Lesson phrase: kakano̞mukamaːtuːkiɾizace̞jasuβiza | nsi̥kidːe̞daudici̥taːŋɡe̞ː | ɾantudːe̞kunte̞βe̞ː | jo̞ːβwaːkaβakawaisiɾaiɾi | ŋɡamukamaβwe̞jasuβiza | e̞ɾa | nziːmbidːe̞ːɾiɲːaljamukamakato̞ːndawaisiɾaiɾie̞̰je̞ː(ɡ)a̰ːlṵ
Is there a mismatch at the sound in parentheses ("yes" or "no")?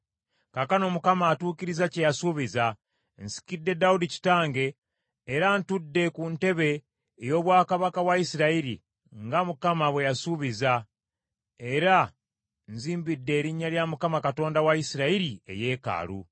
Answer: yes